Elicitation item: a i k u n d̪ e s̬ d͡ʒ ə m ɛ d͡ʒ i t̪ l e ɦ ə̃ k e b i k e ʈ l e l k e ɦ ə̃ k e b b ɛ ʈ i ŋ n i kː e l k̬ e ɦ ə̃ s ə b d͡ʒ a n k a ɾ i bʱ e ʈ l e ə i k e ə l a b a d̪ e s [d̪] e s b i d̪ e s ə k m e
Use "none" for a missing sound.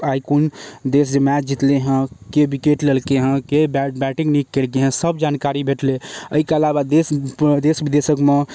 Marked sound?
d̪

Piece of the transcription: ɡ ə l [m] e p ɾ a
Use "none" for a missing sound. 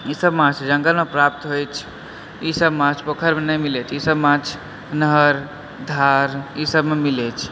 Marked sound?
m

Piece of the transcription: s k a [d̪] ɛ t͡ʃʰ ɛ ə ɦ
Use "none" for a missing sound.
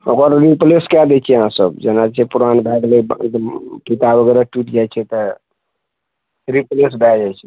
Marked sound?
d̪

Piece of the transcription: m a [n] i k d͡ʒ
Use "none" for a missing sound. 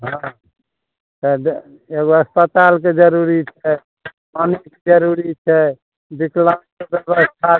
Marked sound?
n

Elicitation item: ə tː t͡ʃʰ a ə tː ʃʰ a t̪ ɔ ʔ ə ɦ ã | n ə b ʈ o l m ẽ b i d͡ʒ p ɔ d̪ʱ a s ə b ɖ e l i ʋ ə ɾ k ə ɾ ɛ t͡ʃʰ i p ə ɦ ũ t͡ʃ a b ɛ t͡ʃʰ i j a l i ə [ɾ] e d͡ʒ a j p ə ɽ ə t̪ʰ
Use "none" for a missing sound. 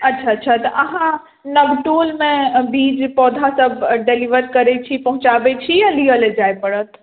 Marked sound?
l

